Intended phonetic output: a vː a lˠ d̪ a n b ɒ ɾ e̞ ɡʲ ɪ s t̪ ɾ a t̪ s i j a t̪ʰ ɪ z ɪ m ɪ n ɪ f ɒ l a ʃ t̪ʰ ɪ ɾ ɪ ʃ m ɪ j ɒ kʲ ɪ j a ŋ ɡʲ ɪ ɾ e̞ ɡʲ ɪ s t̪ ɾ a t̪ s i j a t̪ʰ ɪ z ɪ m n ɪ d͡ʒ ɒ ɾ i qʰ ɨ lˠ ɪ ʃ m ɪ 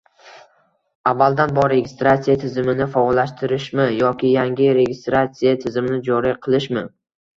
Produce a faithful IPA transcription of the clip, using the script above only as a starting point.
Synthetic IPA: a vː a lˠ d̪ a n b ɒ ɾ e̞ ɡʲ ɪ s t̪ ɾ a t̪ s i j a t̪ʰ ɪ z ɪ m ɪ n ɪ f ɒ l a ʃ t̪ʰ ɪ ɾ ɪ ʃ m ɪ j ɒ kʲ ɪ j a ŋ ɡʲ ɪ ɾ e̞ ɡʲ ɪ s t̪ ɾ a t̪ s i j a t̪ʰ ɪ z ɪ m n ɪ d͡ʒ ɒ ɾ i qʰ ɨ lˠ ɪ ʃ m ɪ